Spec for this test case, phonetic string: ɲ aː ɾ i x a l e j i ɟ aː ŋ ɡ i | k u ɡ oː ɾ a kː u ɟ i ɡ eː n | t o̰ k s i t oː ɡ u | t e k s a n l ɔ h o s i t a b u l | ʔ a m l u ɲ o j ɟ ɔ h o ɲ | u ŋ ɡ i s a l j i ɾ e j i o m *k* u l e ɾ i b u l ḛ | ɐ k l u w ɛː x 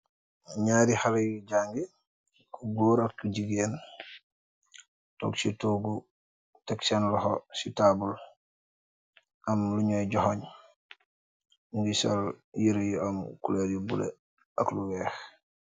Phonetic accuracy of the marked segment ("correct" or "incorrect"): correct